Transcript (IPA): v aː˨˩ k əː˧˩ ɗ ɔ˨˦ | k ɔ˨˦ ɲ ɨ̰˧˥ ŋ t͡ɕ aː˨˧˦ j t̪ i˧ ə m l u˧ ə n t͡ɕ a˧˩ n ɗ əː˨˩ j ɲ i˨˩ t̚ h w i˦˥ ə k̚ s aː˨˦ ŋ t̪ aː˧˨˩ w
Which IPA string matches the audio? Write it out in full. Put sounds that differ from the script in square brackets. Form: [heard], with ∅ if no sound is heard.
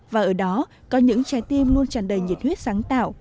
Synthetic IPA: v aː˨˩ [ʔ] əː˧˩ ɗ ɔ˨˦ | k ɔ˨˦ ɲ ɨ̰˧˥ ŋ t͡ɕ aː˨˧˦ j t̪ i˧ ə m l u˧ ə n t͡ɕ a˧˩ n ɗ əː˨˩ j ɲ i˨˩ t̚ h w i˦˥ ə [t̚] s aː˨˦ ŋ t̪ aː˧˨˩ w